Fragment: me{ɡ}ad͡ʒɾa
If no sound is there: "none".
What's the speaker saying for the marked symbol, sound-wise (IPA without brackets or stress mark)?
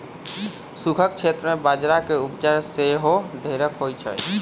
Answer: b